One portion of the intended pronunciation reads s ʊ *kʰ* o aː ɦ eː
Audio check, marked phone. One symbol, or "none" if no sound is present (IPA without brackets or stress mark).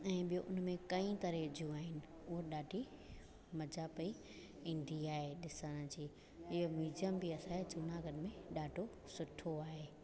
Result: ʈʰ